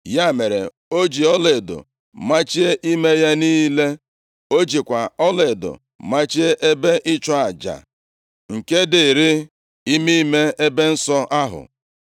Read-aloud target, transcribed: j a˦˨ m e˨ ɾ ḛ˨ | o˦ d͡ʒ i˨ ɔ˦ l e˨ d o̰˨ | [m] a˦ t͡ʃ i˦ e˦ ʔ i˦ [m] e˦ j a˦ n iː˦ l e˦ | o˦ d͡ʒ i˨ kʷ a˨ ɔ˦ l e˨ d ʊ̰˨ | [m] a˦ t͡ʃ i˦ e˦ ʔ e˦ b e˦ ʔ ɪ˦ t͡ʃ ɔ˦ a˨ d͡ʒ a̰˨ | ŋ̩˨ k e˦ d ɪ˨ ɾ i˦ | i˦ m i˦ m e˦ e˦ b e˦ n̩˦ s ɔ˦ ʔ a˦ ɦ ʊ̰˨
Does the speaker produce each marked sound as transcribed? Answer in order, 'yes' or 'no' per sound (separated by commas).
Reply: yes, yes, yes